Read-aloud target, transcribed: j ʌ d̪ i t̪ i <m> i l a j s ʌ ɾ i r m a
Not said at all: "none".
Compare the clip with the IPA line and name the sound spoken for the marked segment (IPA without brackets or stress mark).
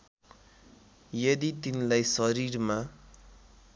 n